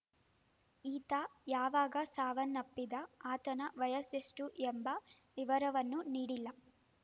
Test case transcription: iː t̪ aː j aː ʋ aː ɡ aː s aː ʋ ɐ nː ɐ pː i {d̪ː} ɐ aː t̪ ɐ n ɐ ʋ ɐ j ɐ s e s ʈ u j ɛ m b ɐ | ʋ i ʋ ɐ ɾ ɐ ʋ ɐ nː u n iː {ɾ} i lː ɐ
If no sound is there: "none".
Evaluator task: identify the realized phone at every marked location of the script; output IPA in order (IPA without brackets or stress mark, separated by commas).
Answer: d̪, ɽ